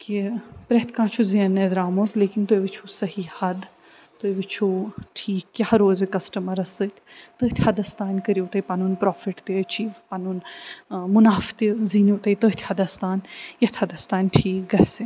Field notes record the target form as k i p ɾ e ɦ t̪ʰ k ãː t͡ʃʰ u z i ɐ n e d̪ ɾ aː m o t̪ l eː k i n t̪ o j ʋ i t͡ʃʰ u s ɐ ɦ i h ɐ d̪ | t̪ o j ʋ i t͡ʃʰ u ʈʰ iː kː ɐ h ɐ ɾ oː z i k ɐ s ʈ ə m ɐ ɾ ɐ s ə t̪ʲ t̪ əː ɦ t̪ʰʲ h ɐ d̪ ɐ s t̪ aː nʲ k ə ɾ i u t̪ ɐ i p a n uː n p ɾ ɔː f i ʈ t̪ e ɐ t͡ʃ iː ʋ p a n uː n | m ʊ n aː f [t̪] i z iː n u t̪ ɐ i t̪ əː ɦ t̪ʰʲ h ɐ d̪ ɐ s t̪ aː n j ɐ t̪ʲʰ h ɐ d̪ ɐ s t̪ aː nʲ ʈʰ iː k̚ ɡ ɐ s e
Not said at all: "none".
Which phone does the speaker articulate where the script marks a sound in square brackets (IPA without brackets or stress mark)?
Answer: t̪